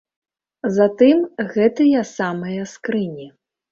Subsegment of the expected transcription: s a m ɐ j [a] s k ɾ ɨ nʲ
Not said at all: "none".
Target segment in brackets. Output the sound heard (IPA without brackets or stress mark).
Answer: ɐ